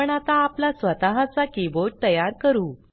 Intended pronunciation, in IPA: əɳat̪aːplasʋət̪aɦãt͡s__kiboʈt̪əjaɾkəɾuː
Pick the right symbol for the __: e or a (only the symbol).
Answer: a